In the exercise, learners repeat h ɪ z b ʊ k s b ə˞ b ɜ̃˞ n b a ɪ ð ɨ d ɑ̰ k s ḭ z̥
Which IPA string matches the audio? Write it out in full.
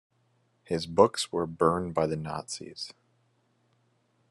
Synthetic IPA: h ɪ z b ʊ k s w ə˞ b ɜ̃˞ n b a ɪ ð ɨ n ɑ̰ t s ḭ z̥